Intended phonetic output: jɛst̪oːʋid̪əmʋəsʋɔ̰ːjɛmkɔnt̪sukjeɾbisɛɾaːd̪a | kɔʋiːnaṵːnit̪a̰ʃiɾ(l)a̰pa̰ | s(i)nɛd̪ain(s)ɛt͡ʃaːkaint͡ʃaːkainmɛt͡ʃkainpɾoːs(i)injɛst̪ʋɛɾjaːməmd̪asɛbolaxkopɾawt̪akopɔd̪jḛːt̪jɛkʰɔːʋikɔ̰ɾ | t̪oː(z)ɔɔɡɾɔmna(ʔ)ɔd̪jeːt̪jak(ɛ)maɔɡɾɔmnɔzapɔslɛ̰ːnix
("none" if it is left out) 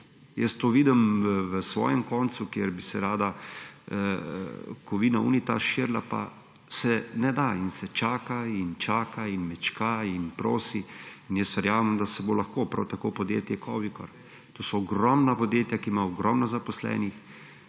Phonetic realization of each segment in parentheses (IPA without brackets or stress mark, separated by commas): l, ɛ, s, i, s, p, i